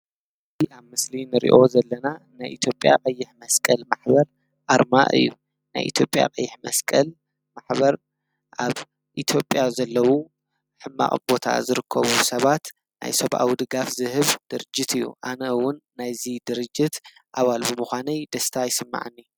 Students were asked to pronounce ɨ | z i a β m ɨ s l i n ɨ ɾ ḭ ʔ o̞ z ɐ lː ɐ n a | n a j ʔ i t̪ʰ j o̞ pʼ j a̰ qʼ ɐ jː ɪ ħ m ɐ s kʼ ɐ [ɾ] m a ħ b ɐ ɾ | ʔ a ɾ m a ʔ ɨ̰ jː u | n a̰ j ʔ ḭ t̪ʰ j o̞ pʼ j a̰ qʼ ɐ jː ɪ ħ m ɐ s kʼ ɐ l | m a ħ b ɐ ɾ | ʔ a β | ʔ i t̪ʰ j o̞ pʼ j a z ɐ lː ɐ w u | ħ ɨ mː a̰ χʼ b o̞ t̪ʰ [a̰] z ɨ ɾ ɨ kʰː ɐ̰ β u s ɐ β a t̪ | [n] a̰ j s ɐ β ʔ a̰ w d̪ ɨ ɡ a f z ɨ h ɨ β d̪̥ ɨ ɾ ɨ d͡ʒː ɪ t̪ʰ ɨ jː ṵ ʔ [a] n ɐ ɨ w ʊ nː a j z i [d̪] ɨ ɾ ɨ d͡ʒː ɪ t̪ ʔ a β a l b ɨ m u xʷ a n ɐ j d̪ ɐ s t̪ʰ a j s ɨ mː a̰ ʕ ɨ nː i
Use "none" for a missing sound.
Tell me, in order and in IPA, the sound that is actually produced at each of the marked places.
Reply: l, a̰, n, a, d̪

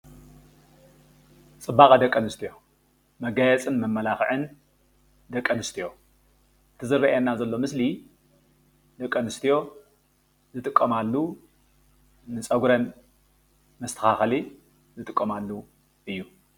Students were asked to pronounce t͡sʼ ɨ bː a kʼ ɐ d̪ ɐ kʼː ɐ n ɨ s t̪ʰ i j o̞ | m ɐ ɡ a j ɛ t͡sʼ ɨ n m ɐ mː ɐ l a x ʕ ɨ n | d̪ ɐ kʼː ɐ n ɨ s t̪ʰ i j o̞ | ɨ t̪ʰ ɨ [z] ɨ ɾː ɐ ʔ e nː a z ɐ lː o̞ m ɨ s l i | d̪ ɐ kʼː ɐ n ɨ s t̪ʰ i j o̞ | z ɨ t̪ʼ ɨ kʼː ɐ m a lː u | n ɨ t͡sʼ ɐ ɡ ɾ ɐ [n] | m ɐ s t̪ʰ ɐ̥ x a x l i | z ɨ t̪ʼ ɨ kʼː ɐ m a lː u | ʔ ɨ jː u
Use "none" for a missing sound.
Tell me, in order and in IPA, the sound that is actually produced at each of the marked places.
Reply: z, n

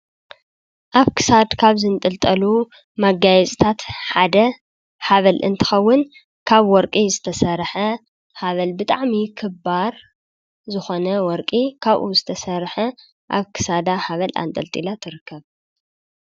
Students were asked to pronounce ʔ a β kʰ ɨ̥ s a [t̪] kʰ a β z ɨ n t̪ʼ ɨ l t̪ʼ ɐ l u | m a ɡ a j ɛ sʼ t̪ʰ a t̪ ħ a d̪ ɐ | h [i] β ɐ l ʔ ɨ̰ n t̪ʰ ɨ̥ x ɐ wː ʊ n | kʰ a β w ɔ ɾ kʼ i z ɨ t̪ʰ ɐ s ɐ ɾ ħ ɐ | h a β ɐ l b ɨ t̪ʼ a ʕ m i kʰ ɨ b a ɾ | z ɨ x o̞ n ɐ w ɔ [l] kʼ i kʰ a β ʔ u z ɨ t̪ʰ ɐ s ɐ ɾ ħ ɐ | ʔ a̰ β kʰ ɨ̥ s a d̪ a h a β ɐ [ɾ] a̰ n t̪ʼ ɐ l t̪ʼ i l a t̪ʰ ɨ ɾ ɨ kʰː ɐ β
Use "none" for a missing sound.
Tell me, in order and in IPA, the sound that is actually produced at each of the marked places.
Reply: d̪, a, ɾ, l

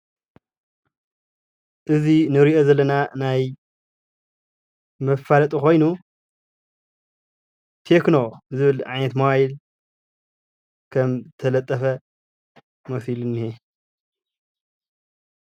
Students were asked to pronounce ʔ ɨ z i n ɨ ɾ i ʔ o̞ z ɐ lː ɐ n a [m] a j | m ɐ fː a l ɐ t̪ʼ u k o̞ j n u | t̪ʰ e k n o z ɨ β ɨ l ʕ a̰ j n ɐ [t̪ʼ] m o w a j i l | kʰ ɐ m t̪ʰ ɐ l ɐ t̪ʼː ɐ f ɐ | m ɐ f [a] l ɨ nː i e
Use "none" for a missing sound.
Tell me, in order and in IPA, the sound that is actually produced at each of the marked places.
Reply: n, t̪, i

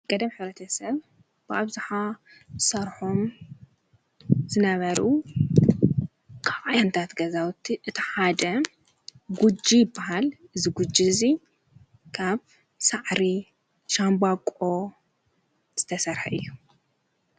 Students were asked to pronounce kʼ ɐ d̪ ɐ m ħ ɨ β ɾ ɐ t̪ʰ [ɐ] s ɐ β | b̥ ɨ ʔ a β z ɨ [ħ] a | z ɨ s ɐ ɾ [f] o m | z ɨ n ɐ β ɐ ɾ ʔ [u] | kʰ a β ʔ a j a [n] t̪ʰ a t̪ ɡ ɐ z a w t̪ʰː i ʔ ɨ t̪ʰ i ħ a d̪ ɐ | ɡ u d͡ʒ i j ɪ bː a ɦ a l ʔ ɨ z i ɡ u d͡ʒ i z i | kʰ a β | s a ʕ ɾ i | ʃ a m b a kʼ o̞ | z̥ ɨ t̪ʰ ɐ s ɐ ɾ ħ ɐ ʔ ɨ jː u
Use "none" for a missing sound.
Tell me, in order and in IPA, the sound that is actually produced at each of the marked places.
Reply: ɐ, ħ, ħ, u, n

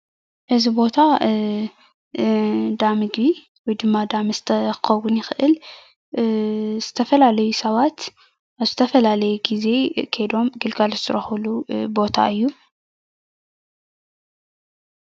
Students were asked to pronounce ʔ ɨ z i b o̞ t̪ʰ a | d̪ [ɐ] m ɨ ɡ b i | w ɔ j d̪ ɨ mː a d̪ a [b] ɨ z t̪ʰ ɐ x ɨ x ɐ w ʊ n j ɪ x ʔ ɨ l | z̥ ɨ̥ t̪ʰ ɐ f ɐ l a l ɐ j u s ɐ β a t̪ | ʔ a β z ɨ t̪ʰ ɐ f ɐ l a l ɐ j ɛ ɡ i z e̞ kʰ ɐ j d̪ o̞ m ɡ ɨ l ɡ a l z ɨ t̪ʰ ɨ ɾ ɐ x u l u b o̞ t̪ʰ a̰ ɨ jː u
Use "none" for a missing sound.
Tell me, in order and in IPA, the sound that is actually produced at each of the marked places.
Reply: a, m

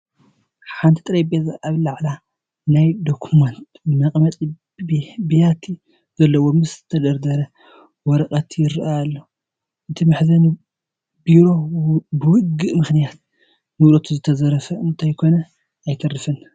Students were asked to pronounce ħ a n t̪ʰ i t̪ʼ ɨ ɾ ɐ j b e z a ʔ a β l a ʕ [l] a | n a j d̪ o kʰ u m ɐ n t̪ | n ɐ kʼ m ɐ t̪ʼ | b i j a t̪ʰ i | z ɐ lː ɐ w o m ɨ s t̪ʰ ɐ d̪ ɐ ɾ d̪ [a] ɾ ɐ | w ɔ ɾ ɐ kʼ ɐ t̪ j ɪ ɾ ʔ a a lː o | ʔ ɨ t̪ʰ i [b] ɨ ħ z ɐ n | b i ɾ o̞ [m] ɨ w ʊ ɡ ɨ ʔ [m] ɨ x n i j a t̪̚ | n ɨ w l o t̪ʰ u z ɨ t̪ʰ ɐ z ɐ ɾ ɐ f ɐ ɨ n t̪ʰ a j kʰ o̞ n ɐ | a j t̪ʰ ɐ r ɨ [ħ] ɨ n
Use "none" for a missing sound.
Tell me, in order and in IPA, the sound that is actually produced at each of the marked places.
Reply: l, ɐ, m, b, m, f

